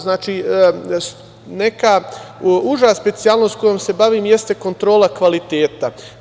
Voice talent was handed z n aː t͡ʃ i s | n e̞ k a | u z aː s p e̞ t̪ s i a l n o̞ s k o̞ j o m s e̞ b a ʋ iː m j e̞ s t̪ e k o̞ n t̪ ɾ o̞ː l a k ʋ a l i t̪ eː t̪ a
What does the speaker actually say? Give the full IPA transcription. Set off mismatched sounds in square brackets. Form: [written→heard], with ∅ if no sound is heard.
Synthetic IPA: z n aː t͡ʃ i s | n e̞ k a | u [z→ʒ] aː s p e̞ t̪ s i a l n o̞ s k o̞ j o m s e̞ b a ʋ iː m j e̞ s t̪ e k o̞ n t̪ ɾ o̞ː l a k ʋ a l i t̪ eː t̪ a